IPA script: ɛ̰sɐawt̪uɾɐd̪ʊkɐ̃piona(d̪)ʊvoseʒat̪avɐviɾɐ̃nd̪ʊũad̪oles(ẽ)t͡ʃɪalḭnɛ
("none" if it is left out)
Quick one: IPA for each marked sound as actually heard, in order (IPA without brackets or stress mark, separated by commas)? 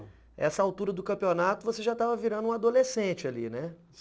t̪, ẽ